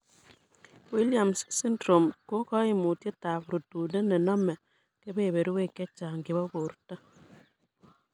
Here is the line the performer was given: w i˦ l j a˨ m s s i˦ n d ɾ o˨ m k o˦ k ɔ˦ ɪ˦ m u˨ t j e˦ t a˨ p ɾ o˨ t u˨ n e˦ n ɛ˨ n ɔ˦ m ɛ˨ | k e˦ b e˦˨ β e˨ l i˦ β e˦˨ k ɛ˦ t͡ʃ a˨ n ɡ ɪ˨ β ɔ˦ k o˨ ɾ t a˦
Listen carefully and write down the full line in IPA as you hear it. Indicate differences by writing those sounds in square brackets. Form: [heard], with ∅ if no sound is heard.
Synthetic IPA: w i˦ l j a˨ m s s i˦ n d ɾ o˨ m k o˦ k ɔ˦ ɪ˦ m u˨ t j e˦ t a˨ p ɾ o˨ t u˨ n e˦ n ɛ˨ n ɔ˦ m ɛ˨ | k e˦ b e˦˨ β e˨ [ɾ] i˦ [w] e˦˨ k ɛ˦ t͡ʃ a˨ [ŋ] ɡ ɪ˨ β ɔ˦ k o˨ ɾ t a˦